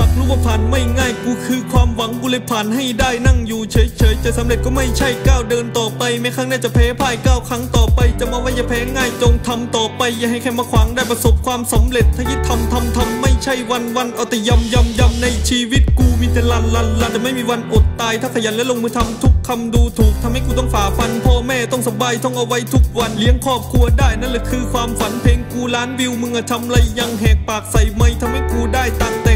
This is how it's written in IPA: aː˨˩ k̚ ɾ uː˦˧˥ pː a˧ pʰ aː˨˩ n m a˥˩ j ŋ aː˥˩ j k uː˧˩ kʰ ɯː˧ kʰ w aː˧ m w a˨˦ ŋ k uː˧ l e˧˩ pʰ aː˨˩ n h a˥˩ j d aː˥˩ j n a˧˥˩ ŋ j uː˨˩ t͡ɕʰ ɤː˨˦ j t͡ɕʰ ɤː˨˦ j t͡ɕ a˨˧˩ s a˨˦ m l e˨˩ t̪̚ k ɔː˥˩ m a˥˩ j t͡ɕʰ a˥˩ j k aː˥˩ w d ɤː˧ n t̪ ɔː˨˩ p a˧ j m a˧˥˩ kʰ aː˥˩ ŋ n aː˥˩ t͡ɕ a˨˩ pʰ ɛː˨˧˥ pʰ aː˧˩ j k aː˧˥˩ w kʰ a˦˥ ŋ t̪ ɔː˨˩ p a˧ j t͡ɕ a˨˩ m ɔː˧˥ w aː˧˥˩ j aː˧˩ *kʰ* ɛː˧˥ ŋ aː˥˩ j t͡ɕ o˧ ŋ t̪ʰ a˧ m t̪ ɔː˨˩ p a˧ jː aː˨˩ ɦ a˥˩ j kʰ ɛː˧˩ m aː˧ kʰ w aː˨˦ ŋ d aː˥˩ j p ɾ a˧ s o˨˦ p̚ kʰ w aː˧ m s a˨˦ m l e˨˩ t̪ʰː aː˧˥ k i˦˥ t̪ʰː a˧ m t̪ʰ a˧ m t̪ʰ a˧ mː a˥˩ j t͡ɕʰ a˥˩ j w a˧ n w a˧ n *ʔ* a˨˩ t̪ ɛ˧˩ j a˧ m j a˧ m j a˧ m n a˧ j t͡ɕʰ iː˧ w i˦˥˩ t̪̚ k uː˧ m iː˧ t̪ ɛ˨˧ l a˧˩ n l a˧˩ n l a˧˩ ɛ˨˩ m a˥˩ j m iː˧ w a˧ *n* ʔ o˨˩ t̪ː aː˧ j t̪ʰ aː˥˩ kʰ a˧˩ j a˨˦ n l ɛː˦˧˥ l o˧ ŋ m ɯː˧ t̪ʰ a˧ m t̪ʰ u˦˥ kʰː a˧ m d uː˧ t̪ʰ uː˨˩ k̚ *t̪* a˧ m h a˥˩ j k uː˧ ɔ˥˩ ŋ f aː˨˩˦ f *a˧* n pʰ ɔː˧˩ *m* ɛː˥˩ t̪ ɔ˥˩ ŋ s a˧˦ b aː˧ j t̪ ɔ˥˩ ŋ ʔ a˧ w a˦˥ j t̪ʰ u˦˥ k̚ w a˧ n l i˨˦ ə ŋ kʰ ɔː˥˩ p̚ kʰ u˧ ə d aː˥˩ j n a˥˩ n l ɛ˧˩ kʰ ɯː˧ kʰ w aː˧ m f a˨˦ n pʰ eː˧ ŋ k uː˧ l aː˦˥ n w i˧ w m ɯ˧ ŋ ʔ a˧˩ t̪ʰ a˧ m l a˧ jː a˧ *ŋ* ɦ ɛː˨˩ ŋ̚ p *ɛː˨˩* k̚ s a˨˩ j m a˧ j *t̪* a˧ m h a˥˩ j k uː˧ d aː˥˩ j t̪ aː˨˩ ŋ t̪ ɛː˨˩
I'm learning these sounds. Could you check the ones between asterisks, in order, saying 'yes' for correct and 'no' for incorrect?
no, yes, yes, no, yes, yes, yes, no, no

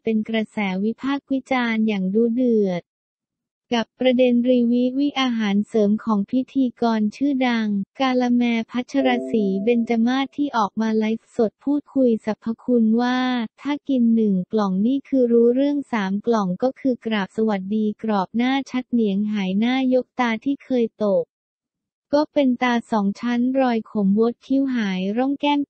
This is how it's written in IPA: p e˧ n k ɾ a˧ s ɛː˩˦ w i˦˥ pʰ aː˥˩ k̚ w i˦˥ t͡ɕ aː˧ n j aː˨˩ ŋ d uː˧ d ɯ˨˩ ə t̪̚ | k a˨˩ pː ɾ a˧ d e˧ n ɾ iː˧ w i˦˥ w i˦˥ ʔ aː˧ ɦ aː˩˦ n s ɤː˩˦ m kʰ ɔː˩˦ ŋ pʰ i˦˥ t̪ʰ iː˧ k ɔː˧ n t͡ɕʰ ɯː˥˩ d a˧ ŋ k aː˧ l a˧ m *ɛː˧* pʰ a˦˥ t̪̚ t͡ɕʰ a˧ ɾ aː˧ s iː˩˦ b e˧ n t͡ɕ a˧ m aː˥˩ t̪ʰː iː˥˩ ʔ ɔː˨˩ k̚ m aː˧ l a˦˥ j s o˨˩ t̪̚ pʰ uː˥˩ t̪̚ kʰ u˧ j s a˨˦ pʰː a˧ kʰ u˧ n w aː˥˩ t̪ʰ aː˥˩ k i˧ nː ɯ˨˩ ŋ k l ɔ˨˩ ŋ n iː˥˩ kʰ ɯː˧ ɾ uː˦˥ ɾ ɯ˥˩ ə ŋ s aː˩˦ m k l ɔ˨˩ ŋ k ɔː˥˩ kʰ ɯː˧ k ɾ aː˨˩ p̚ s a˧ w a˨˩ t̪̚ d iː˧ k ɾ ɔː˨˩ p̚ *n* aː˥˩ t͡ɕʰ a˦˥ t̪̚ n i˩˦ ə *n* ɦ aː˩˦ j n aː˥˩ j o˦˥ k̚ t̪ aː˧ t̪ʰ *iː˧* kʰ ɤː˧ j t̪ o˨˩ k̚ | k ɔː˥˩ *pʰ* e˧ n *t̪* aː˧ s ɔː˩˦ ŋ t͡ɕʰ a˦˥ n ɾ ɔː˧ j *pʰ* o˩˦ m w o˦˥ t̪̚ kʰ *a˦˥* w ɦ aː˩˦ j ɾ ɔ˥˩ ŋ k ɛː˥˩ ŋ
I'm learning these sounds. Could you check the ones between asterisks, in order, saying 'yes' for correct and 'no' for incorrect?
yes, yes, no, no, no, yes, no, no

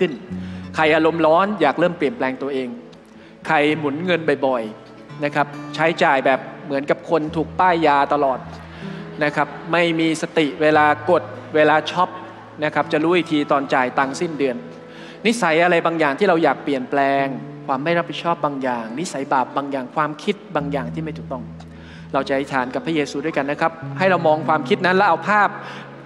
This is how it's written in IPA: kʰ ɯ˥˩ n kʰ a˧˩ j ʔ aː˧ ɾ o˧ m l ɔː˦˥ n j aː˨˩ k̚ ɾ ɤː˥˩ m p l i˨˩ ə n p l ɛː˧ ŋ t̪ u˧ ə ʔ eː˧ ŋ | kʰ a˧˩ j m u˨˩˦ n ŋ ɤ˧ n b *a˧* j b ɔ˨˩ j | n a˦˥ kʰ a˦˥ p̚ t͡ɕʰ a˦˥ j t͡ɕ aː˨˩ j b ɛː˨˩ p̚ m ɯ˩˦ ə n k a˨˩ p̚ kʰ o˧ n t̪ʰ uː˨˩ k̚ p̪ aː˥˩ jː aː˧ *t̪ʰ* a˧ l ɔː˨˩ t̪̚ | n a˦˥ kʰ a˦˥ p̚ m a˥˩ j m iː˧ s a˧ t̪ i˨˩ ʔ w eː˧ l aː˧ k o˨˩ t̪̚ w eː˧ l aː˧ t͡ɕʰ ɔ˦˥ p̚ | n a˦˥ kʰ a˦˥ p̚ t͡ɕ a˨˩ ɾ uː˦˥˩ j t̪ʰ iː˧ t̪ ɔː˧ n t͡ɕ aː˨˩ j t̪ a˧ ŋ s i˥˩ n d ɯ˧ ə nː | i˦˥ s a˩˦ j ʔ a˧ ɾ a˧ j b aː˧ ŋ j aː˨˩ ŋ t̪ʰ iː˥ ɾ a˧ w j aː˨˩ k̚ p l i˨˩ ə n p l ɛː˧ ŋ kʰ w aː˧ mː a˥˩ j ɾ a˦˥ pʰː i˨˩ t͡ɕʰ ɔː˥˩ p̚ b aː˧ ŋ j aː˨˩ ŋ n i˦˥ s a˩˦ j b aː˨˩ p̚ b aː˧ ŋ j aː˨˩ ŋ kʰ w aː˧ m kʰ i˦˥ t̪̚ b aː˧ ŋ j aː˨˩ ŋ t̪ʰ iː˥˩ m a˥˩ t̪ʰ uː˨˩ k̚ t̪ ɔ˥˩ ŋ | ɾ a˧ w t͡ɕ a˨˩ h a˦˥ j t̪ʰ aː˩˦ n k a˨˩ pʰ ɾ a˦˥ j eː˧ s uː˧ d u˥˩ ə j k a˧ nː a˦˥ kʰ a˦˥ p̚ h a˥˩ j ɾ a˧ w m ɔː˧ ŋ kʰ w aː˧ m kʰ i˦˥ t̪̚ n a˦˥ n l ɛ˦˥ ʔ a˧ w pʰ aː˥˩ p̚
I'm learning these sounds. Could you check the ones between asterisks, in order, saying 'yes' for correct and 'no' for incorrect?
no, no

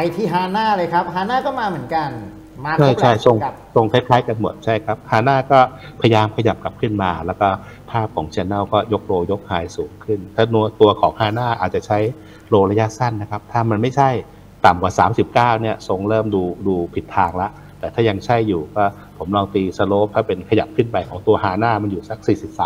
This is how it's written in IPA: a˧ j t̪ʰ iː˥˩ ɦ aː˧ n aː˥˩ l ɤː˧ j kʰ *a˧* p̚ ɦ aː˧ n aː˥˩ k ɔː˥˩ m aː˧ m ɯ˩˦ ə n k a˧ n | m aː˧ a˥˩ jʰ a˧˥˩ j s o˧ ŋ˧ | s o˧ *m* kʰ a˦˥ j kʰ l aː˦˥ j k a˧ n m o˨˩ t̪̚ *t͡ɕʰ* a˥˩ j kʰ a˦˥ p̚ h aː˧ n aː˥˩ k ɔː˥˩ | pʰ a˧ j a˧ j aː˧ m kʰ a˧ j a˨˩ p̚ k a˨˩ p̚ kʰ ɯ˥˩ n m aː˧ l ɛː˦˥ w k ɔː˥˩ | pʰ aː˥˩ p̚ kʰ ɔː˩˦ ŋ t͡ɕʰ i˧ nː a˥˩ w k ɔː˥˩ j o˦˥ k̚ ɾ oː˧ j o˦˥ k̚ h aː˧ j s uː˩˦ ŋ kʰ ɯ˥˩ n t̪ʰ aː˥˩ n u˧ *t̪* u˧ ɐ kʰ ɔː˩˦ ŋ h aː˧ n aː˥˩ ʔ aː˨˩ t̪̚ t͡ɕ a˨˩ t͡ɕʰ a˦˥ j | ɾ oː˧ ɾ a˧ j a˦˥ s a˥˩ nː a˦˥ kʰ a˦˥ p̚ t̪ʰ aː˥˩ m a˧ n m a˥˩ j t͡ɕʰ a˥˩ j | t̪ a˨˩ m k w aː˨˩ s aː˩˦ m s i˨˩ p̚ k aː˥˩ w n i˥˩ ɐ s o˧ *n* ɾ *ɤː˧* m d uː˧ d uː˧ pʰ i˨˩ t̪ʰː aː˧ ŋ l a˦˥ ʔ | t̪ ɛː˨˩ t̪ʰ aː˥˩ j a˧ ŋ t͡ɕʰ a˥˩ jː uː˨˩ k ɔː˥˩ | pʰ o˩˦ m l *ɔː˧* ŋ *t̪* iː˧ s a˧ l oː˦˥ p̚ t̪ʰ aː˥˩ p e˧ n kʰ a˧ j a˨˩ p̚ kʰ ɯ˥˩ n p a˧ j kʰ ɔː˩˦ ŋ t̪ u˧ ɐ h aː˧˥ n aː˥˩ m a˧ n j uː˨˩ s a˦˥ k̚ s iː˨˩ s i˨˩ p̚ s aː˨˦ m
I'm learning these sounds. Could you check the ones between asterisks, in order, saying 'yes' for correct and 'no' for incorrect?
no, no, yes, yes, no, no, yes, yes

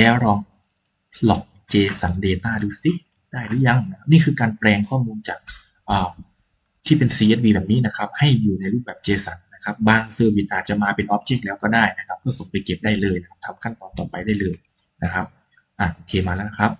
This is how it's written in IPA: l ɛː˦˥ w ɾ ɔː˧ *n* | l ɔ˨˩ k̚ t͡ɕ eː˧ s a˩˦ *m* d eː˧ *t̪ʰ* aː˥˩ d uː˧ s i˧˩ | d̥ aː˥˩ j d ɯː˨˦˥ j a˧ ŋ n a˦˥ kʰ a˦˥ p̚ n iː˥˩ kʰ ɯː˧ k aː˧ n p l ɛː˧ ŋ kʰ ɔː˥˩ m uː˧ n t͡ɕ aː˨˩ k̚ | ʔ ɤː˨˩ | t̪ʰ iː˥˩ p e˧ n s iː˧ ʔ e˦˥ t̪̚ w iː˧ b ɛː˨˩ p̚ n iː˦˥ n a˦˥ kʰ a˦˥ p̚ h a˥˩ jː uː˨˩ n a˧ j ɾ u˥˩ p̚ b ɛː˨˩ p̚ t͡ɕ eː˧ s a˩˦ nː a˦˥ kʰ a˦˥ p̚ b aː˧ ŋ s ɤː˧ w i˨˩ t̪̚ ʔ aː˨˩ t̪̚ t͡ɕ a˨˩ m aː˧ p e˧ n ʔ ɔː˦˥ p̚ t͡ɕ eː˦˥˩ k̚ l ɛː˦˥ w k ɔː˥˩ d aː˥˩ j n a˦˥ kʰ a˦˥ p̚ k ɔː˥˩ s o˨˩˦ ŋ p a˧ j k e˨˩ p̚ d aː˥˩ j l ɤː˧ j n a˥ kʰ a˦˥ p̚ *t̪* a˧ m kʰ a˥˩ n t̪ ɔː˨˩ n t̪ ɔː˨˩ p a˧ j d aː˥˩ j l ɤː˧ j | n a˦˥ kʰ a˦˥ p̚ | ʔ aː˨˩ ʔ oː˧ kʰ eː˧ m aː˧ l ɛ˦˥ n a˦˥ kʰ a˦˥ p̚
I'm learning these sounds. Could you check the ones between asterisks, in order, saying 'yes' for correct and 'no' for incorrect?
no, no, no, no

